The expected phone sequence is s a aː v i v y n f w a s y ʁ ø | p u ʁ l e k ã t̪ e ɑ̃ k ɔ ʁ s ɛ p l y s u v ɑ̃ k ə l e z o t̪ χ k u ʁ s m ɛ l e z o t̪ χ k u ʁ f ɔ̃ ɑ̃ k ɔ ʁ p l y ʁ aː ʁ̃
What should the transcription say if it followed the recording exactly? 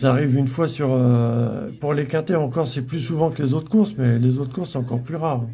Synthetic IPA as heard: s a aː ʁ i v y n f w a s y ʁ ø | p u ʁ l e k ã t̪ e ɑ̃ k ɔ ʁ s ɛ p l y s u v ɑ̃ k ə l e z o t̪ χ k u ʁ s m ɛ l e z o t̪ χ k u ʁ s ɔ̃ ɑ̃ k ɔ ʁ p l y ʁ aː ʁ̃